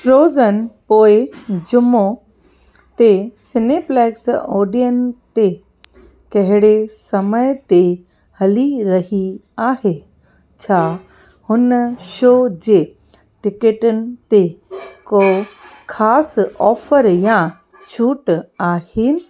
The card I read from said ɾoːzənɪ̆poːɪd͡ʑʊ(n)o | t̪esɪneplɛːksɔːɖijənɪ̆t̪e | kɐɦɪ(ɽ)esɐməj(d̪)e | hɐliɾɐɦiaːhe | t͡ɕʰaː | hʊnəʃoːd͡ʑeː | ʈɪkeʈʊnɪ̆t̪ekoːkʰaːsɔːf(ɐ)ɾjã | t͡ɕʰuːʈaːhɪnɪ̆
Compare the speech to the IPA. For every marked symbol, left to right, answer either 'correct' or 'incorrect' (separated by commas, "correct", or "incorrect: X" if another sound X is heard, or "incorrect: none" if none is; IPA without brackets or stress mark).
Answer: incorrect: m, correct, incorrect: t̪, incorrect: ə